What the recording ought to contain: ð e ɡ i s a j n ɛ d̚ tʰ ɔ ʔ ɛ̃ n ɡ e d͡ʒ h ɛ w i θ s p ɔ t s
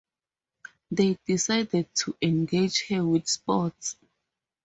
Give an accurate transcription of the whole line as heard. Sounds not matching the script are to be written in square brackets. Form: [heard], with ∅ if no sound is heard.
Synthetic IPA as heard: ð e [d] i s a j [d] ɛ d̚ tʰ [u] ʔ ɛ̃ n ɡ e d͡ʒ h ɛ w i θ s p ɔ t s